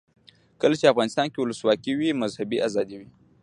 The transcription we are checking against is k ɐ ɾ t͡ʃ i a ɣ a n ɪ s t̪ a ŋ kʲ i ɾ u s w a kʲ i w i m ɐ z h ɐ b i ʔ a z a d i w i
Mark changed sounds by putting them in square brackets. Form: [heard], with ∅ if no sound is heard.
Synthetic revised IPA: k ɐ [l] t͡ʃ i a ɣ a n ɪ s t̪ a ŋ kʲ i [l] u s w a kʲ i w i m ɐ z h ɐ b i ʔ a z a d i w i